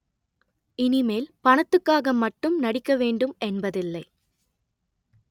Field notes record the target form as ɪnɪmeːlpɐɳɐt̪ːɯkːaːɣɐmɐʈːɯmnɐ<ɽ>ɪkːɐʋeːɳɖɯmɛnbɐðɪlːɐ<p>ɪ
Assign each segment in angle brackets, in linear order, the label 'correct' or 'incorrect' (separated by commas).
correct, incorrect